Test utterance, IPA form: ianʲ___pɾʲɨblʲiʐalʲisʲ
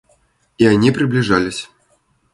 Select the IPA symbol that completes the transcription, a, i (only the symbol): i